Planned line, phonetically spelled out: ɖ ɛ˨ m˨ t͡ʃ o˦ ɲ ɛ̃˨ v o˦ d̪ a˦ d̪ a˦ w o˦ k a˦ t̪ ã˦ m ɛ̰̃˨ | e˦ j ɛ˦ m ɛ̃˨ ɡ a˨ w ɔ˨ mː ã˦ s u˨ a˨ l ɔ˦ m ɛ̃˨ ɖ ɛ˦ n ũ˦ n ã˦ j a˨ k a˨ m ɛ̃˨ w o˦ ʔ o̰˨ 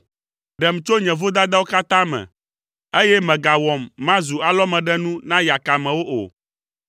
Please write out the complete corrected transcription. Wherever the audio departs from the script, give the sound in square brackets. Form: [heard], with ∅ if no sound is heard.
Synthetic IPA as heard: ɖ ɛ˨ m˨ t͡ʃ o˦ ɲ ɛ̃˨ v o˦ d̪ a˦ d̪ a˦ w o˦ k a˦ t̪ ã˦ m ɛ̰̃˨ | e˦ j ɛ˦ m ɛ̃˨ ɡ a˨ w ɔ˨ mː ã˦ [z] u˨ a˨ l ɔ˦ m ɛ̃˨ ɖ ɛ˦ n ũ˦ n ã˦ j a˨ k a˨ m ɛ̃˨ w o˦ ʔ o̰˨

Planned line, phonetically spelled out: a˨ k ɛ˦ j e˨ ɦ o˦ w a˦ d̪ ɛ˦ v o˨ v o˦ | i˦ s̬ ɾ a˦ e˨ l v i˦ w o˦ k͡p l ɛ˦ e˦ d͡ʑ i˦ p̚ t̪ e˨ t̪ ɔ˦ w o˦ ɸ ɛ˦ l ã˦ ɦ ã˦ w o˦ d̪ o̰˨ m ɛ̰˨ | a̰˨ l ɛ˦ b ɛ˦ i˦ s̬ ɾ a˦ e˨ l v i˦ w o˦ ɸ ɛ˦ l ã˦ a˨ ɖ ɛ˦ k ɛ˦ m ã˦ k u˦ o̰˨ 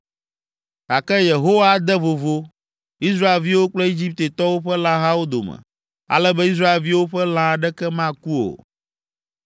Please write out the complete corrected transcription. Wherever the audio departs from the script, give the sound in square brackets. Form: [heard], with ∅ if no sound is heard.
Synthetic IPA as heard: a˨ k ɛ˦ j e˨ ɦ o˦ w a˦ d̪ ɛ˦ v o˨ v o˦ | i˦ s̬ ɾ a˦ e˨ l v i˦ w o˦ k͡p l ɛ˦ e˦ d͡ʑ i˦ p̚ t̪ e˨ t̪ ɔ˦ w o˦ ɸ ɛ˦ l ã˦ ɦ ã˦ w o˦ d̪ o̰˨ m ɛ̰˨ | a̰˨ l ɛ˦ b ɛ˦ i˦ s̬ ɾ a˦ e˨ l v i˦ w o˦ ɸ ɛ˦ l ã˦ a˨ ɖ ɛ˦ k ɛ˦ m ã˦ k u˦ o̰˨

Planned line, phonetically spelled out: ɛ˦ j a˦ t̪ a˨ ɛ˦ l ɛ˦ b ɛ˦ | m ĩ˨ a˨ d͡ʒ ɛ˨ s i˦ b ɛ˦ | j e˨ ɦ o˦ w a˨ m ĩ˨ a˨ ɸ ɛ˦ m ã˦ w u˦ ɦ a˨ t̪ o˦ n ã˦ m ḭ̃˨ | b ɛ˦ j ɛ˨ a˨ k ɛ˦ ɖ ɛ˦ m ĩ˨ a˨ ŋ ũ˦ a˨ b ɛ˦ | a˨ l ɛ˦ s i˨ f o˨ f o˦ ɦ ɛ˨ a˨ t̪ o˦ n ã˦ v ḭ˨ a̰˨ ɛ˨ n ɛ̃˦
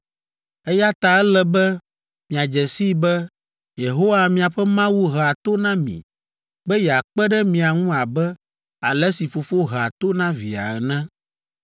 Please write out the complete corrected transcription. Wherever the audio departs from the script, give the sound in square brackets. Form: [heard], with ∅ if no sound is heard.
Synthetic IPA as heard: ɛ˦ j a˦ t̪ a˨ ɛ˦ l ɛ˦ b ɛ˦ | m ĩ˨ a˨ d͡ʒ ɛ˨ s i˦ b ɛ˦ | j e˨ ɦ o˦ w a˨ m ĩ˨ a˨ ɸ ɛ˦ m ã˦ w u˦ ɦ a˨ t̪ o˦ n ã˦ m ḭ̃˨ | b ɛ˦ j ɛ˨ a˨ [k͡p] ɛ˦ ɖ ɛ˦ m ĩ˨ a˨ ŋ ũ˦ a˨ b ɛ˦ | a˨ l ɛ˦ s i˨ f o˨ f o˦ ɦ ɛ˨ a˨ t̪ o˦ n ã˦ v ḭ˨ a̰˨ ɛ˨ n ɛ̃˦

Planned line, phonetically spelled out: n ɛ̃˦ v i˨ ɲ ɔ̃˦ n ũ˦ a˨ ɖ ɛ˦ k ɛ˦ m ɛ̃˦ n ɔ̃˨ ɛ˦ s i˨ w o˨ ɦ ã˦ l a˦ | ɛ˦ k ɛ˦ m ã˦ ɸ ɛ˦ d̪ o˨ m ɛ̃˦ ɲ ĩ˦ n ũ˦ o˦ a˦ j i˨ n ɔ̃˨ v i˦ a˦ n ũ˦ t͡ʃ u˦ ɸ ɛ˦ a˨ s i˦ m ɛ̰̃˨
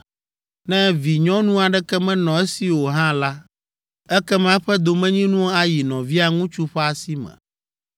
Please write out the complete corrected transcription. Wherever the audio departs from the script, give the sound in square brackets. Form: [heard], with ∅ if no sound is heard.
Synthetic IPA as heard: n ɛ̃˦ v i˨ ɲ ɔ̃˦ n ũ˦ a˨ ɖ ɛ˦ k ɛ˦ m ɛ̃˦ n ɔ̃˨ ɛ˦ s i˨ w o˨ ɦ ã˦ l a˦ | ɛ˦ k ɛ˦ m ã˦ ɸ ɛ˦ d̪ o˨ m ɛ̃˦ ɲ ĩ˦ n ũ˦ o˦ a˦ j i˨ n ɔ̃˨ v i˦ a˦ [ŋ] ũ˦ t͡ʃ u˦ ɸ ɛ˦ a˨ s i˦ m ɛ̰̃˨

